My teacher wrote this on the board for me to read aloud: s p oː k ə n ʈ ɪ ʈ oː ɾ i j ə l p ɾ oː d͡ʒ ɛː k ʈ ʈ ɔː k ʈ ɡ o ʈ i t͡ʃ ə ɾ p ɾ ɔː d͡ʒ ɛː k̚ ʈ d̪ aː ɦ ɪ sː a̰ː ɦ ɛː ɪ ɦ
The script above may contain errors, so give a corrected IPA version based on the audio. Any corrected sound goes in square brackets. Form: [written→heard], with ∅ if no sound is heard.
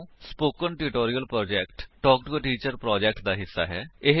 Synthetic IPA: s p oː k ə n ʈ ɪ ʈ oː ɾ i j ə l p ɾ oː d͡ʒ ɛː k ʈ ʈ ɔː k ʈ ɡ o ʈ [i→iː] t͡ʃ ə ɾ p ɾ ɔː d͡ʒ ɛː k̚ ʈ d̪ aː ɦ ɪ sː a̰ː ɦ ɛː ɪ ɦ

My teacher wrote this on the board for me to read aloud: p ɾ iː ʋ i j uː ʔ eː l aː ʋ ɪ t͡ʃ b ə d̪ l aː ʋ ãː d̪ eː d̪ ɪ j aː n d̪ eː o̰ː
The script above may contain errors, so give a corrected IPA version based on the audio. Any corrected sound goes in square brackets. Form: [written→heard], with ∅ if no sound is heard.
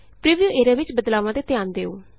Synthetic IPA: p ɾ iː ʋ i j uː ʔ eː [l→ɾ] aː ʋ ɪ t͡ʃ b ə d̪ l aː ʋ ãː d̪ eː [d̪→t̪] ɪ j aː n d̪ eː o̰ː

